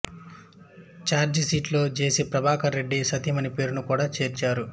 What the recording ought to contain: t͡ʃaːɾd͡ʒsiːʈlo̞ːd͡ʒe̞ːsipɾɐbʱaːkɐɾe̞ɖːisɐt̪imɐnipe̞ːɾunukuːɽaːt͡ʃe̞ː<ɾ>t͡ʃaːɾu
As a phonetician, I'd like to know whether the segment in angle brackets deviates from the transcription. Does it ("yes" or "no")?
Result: no